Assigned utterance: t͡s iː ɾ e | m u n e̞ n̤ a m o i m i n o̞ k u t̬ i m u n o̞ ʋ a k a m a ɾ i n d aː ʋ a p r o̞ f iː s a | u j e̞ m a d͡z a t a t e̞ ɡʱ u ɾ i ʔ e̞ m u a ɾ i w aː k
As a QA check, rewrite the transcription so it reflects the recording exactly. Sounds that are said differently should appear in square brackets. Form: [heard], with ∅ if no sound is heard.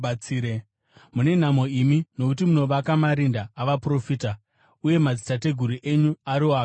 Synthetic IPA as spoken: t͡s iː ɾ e | m u n e̞ n̤ a m o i m i n o̞ k u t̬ i m u n o̞ ʋ a k a m a ɾ i n d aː ʋ a p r o̞ f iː [t] a | u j e̞ m a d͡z [i] t a t e̞ ɡʱ u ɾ i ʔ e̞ [ɲ] u a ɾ i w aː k